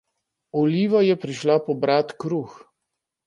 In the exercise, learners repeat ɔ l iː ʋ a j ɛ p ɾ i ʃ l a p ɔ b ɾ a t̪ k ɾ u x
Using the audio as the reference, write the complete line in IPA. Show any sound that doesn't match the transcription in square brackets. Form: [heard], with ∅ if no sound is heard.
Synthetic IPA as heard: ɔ l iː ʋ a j ɛ p ɾ i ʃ l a p ɔ b ɾ a t̪ k ɾ u x